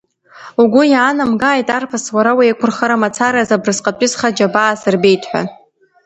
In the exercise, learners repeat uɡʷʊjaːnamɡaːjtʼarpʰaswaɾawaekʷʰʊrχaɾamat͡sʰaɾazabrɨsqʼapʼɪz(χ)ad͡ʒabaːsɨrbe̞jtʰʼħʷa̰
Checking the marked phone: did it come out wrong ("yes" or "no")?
no